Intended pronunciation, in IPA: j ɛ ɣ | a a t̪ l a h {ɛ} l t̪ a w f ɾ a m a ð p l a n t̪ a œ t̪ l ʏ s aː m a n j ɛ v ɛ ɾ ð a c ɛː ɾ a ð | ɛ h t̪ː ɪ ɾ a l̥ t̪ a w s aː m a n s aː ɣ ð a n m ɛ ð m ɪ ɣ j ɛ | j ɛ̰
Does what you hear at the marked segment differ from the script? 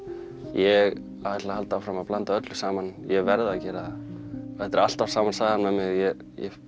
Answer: yes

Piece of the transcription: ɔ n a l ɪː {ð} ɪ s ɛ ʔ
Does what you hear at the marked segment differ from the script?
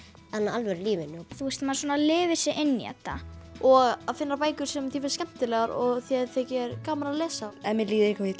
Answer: yes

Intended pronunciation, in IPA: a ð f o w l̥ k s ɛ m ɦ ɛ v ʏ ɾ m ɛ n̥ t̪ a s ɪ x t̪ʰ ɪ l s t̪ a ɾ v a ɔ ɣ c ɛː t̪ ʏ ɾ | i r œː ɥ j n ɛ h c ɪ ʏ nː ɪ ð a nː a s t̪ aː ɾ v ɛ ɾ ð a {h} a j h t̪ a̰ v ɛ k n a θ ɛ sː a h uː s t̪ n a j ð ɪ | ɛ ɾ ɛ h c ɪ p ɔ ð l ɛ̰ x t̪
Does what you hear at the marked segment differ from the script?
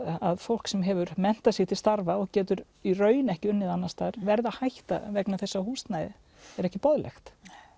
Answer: no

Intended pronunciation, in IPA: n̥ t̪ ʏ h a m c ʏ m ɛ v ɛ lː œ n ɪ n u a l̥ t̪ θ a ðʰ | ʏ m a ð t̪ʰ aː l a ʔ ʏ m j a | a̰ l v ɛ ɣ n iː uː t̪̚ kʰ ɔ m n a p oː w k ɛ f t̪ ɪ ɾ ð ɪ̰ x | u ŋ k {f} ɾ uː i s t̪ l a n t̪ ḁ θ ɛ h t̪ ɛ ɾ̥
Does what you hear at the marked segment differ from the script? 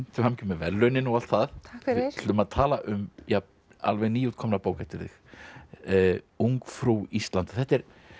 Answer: no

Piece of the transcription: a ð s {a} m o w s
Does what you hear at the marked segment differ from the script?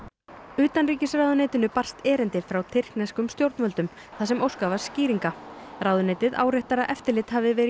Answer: yes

